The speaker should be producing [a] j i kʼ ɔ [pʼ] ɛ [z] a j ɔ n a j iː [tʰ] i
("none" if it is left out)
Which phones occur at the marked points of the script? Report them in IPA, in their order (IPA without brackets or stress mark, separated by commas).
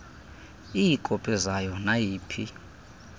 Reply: i, pʼ, z, pʰ